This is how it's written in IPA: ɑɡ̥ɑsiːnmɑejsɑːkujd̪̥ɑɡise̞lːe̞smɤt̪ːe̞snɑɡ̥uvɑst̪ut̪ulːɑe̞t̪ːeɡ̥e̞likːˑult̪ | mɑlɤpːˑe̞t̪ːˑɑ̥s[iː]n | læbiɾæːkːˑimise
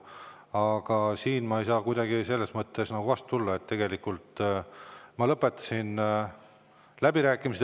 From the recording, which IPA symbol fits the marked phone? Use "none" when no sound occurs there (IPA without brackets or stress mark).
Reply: i